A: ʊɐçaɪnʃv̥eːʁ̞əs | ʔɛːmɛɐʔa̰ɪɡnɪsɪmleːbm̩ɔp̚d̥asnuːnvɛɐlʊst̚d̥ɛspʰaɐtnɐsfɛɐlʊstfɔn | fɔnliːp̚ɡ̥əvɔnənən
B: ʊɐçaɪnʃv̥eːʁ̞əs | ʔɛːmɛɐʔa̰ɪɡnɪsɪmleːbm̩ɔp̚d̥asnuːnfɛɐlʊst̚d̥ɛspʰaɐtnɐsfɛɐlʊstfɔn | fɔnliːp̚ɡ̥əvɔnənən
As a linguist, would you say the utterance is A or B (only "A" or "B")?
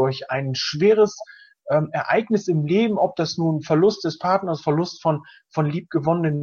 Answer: B